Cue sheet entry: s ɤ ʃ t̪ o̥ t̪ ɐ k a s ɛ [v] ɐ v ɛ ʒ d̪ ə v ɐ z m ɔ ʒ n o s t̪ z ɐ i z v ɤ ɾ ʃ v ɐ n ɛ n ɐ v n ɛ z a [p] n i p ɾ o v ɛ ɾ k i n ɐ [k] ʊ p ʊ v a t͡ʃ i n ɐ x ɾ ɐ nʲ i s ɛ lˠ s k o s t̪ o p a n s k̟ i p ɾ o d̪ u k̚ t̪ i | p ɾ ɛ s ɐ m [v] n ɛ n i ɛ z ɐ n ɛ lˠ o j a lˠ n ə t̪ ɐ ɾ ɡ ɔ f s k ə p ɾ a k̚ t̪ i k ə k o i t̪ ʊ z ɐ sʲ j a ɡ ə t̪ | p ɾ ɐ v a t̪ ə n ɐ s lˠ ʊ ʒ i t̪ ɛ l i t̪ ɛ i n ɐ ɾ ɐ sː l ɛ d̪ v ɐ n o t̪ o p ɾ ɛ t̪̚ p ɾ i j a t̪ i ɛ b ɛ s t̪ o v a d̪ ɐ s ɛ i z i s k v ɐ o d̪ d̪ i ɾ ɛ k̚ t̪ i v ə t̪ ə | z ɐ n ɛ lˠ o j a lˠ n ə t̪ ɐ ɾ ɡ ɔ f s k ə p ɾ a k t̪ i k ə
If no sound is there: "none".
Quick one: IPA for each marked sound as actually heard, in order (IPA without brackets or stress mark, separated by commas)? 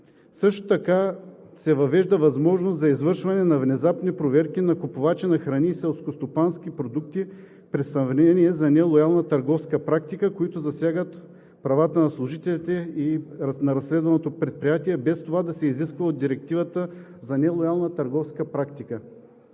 v, p, k, v